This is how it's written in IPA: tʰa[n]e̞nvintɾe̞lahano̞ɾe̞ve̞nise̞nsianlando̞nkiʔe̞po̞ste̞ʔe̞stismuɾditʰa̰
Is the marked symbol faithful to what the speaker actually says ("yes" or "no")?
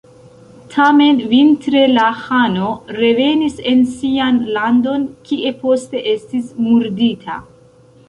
no